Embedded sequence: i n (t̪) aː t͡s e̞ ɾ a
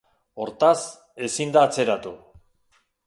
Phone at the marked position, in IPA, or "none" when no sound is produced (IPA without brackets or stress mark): d̪